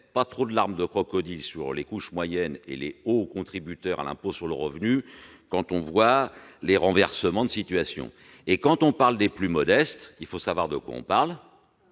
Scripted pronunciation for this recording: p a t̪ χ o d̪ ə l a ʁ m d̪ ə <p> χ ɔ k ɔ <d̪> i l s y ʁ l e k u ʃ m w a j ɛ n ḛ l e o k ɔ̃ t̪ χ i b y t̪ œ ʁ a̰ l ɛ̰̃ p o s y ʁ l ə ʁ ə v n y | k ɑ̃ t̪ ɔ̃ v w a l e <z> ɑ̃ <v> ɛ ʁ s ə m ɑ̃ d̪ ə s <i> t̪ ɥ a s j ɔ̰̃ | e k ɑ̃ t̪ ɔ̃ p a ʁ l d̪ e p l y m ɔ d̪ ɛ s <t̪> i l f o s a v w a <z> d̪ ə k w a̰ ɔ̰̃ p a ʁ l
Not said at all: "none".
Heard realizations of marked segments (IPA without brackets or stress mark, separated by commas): k, d̪, ʁ, v, i, t̪, ʁ